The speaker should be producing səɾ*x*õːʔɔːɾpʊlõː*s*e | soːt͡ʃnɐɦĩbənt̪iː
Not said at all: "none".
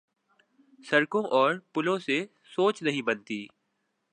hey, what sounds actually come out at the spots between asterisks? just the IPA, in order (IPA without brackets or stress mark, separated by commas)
k, s